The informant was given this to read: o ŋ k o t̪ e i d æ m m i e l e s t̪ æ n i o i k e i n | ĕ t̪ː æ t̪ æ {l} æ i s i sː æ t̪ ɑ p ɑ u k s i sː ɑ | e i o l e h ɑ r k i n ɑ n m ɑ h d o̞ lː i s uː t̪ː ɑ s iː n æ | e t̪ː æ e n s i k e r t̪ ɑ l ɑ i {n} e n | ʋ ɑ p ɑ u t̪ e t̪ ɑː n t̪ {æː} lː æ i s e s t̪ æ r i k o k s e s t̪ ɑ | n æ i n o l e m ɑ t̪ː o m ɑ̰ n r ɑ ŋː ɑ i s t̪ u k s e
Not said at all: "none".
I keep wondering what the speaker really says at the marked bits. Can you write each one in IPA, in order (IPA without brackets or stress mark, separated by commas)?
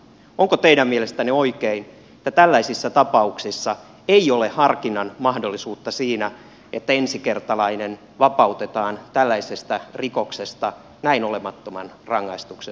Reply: lː, n, æ